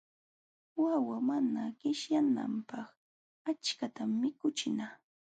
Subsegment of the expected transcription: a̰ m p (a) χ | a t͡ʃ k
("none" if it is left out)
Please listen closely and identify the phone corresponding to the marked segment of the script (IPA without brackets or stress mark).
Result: ɑ